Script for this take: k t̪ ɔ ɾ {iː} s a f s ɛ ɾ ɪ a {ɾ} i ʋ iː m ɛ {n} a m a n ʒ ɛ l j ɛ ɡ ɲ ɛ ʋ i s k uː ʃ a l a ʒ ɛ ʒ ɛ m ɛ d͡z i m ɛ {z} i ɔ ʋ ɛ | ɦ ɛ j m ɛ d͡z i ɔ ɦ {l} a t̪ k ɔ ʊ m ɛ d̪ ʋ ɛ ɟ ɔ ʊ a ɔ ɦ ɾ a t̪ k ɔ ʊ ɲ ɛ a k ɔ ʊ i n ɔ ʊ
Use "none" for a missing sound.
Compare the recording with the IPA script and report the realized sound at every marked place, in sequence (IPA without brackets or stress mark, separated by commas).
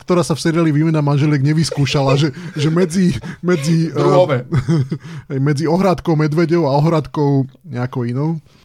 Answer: aː, l, n, d͡z, ɾ